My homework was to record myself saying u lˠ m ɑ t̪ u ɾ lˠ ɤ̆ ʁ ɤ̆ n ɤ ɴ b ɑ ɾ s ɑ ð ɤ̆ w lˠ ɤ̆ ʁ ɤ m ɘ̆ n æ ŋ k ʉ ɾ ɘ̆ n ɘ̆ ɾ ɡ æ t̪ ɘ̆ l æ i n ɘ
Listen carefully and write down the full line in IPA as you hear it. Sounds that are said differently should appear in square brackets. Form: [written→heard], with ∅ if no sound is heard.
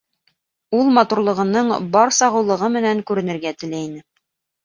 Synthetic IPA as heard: u lˠ m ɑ t̪ u ɾ lˠ ɤ̆ ʁ ɤ̆ n ɤ ɴ b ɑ ɾ s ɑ [ð→ʁ] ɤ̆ w lˠ ɤ̆ ʁ ɤ m ɘ̆ n æ ŋ k ʉ ɾ ɘ̆ n ɘ̆ ɾ ɡ æ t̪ ɘ̆ l æ i n ɘ